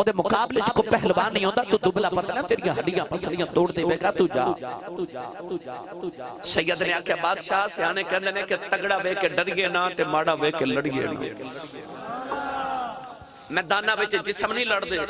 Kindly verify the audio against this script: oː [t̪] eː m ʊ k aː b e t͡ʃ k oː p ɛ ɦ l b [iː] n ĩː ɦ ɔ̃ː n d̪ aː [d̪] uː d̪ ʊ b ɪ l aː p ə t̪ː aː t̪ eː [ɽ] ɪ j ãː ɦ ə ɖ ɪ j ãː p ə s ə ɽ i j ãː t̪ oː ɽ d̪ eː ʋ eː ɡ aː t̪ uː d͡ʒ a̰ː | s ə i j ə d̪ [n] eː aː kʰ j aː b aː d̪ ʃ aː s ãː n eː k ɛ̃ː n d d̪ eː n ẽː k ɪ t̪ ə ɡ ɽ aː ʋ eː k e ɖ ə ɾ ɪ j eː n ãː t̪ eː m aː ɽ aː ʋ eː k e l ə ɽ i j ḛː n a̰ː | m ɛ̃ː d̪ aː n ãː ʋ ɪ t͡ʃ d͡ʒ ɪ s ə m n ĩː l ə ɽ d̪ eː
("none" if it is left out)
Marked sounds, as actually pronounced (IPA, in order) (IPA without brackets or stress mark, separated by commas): d̪, aː, t̪, ɾ, n